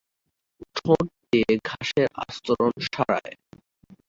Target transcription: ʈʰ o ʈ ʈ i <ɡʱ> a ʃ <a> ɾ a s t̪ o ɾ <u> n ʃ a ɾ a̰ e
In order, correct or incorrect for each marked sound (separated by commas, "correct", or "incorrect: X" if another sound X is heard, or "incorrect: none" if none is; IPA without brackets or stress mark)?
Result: correct, incorrect: e, incorrect: o